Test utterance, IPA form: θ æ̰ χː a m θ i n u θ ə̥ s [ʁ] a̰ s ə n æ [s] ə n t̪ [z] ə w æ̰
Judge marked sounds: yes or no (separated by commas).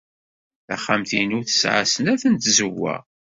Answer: no, no, yes